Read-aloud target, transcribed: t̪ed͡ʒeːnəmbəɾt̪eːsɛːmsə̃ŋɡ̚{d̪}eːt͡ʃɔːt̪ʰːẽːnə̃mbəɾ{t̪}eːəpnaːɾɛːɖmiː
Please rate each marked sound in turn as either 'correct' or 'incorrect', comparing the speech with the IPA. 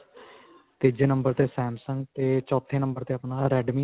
incorrect, correct

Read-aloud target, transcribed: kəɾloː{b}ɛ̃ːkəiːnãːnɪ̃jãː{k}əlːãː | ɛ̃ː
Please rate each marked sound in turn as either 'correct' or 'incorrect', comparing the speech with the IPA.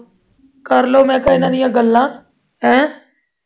incorrect, incorrect

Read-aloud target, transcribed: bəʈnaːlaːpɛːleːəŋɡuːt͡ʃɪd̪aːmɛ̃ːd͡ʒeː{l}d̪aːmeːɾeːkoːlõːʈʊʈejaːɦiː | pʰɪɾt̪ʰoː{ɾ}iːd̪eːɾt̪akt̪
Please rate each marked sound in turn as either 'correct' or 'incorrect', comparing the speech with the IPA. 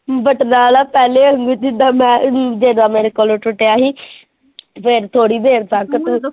incorrect, incorrect

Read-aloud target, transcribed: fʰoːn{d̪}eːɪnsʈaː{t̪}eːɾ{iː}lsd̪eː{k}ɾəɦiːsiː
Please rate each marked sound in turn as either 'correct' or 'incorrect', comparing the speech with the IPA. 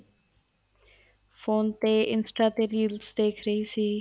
incorrect, correct, correct, incorrect

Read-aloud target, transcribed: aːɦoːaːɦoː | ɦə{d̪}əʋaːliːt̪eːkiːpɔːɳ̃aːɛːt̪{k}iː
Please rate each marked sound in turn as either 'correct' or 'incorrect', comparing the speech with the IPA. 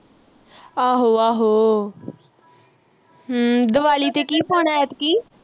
correct, correct

